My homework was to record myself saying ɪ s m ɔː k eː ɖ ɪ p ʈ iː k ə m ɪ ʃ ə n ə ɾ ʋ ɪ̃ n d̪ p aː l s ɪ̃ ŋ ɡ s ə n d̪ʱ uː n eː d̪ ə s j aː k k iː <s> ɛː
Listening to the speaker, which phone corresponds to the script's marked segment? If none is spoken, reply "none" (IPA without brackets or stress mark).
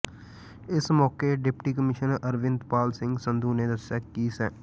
s